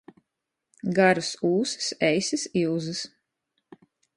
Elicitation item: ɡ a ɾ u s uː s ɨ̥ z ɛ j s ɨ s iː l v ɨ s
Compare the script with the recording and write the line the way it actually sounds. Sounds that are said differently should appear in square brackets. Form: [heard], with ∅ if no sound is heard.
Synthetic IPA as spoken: ɡ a ɾ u s uː s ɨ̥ [s] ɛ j s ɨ s [i] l [z] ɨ s